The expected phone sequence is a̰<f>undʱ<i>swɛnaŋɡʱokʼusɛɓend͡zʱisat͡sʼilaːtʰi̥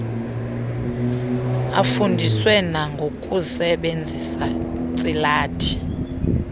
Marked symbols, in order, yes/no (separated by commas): yes, yes